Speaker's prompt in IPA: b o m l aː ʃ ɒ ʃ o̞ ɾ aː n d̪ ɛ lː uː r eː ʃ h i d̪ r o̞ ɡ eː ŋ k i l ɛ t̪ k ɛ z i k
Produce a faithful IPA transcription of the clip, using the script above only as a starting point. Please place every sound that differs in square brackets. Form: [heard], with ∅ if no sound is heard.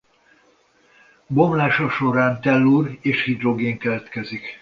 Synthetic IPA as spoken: b o m l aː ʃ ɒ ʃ o̞ ɾ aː n [t̪] ɛ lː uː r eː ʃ h i d̪ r o̞ ɡ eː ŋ k [ɛ] l ɛ t̪ k ɛ z i k